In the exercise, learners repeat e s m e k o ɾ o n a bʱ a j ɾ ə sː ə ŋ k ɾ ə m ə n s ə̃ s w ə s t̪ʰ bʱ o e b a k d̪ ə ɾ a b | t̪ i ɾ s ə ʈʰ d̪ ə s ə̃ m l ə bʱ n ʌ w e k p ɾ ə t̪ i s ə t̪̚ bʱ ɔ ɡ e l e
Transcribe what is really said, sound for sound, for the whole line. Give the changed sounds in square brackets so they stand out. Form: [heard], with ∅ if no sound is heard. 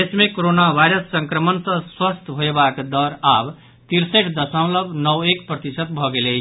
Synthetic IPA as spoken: e s m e k o ɾ o n a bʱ a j ɾ ə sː ə ŋ k ɾ ə m ə n s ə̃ s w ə s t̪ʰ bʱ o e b a k d̪ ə ɾ a b | t̪ i ɾ s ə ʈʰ d̪ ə s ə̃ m l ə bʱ n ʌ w e k p ɾ ə t̪ i s ə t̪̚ bʱ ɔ ɡ e l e

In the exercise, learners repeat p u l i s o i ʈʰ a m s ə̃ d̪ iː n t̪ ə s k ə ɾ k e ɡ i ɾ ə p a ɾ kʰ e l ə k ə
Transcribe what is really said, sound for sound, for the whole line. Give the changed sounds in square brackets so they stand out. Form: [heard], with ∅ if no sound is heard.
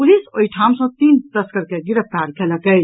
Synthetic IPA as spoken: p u l i s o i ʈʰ a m s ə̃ [t̪] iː n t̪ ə s k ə ɾ k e ɡ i ɾ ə p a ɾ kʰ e l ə k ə

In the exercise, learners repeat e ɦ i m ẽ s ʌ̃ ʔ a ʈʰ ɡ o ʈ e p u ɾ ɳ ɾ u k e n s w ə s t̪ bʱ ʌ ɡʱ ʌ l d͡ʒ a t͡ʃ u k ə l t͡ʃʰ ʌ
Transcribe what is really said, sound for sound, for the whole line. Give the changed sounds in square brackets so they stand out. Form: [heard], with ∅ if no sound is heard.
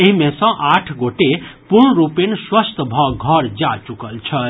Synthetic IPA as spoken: e ɦ i m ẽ s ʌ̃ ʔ a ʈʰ ɡ o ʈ e p u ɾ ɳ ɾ u [p] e n s w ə s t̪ bʱ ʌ ɡʱ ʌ [ɾ] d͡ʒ a t͡ʃ u k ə l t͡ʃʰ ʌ

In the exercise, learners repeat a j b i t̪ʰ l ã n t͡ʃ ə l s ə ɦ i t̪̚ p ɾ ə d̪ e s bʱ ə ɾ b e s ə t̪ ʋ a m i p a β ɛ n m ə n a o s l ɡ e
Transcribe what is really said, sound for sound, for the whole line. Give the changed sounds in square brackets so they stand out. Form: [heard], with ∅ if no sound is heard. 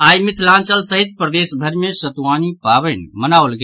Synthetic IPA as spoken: a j [m] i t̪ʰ l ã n t͡ʃ ə l s ə ɦ i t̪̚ p ɾ ə d̪ e s bʱ ə ɾ [m] e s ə t̪ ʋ a [n] i p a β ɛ n m ə n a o [∅] l ɡ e

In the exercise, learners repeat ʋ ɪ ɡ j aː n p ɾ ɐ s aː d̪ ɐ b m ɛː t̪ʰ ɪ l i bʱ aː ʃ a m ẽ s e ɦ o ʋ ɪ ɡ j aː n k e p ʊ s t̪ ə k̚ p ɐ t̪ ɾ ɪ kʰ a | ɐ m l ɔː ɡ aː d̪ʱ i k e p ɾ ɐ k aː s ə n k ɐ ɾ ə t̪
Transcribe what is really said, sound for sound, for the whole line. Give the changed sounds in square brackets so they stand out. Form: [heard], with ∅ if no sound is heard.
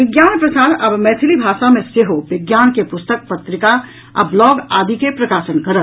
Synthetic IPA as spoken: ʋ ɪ ɡ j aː n p ɾ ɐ s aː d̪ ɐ b m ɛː t̪ʰ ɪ l i bʱ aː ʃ a m ẽ s e ɦ o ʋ ɪ ɡ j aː n k e p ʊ s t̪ ə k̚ p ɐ t̪ ɾ ɪ [k] a | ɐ [b] l ɔː ɡ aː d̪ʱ i k e p ɾ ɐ k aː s ə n k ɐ ɾ ə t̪

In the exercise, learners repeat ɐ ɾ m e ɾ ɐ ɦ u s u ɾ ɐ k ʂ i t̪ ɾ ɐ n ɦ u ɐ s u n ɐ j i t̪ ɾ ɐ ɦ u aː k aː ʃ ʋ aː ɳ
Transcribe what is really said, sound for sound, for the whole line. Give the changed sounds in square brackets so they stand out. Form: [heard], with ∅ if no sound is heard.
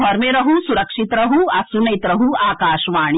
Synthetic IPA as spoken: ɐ ɾ m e ɾ ɐ ɦ u s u ɾ ɐ k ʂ i t̪ ɾ ɐ [∅] ɦ u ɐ s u n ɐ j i t̪ ɾ ɐ ɦ u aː k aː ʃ ʋ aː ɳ

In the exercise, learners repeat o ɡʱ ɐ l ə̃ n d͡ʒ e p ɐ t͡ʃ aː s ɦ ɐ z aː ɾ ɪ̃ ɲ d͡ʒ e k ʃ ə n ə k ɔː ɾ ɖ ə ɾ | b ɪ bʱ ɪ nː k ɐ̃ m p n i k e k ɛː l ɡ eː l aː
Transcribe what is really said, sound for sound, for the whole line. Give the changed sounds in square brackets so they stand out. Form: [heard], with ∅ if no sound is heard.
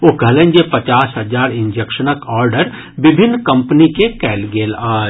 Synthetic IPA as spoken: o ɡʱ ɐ l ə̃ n d͡ʒ e p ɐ t͡ʃ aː s ɦ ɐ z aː ɾ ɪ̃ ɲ d͡ʒ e k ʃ ə n ə k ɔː ɾ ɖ ə ɾ | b ɪ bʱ ɪ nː k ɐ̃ m p n i k e k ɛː l ɡ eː l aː

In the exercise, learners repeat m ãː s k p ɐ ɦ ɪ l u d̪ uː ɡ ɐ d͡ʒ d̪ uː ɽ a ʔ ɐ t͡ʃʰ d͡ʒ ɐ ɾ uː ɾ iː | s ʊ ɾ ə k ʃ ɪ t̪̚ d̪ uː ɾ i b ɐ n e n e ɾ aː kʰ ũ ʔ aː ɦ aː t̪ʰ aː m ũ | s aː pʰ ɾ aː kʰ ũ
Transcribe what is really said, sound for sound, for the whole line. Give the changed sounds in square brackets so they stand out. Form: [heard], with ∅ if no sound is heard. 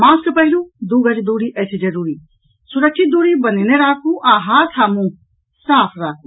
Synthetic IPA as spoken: m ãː s k p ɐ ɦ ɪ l u d̪ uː ɡ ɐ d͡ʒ d̪ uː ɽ [i] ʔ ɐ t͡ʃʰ d͡ʒ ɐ ɾ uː ɾ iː | s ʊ ɾ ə k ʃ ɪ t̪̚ d̪ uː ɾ i b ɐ n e n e ɾ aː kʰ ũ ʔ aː ɦ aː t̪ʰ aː m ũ | s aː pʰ ɾ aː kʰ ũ

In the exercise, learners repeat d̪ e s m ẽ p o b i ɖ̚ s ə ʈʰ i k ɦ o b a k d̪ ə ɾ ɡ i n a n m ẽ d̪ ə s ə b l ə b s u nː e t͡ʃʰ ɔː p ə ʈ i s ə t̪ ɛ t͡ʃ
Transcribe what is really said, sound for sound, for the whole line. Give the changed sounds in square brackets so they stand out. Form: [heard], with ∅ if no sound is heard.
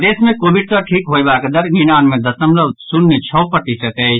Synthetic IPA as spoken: d̪ e s m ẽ [k] o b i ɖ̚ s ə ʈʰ i k ɦ o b a k d̪ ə ɾ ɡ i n a n m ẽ d̪ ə s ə [m] l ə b s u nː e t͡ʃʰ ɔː p ə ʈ i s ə t̪ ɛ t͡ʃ

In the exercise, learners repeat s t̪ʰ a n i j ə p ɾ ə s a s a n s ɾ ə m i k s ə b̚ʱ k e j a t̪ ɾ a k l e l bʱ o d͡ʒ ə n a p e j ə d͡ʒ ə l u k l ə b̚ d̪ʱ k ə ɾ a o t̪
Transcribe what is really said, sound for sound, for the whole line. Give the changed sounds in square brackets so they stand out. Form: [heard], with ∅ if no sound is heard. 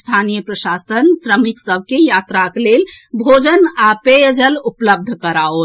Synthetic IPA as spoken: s t̪ʰ a n i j ə p ɾ ə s a s [ə] n s ɾ ə m i k s ə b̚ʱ k e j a t̪ ɾ a k l e l bʱ o d͡ʒ ə n a p e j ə d͡ʒ ə l u [p] l ə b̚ d̪ʱ k ə ɾ a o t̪

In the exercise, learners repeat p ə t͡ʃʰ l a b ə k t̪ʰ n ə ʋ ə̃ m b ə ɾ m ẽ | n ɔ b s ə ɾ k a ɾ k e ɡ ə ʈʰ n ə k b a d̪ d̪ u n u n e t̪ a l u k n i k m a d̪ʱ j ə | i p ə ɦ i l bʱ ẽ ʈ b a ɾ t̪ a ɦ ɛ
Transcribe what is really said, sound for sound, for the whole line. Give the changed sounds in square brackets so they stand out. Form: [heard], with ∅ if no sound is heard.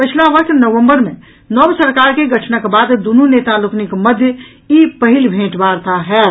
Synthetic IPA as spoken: p ə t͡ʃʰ l a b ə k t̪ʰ n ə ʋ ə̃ m b ə ɾ m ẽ | n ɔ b s ə ɾ k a ɾ k e ɡ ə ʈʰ n ə k b a d̪ d̪ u n u n e t̪ a l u k n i k m [ə] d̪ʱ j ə | i p ə ɦ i l bʱ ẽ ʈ b a ɾ t̪ a ɦ ɛ

